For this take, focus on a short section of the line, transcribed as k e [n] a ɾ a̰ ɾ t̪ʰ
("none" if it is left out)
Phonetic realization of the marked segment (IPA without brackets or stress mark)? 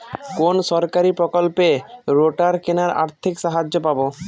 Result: n